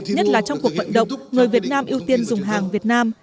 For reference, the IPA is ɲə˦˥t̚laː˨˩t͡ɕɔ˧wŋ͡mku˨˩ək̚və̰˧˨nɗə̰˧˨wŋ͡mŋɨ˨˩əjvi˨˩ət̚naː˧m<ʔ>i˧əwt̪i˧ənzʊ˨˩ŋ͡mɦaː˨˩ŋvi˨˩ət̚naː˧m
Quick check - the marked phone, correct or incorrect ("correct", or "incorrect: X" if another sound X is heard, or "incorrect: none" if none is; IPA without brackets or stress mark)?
correct